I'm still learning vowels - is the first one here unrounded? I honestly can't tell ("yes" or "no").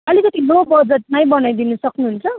yes